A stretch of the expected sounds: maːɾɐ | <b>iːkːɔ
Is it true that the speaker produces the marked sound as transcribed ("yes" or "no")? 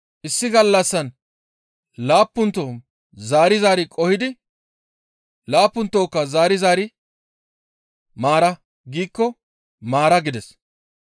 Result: no